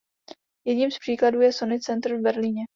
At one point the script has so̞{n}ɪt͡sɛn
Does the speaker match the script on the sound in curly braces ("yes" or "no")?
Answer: yes